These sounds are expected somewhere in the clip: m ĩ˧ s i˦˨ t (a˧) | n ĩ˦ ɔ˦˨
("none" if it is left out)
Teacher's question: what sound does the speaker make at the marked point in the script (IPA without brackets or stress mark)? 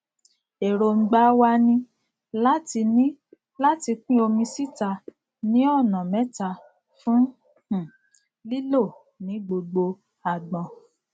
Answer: a˧